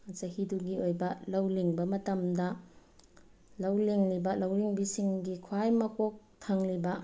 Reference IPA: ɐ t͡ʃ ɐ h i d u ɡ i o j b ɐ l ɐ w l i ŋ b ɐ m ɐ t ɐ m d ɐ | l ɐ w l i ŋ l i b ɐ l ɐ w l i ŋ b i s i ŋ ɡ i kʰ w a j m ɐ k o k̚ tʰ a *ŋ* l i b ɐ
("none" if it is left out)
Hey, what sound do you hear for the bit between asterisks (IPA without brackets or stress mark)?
ŋ